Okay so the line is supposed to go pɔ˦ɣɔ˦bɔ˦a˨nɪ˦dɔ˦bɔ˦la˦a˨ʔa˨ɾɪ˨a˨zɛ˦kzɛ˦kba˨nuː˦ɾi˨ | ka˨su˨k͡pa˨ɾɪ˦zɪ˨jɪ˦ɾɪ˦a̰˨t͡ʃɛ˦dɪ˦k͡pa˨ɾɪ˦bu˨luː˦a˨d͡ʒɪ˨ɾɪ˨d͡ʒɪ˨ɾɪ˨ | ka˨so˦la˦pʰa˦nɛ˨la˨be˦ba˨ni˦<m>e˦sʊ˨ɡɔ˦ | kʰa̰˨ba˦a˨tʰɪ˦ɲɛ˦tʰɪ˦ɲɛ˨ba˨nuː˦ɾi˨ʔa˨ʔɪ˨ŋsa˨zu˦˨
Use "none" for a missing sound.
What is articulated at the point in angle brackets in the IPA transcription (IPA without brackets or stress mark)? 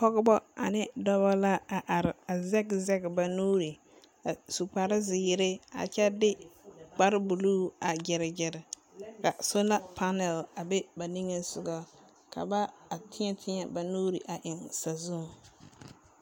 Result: ŋ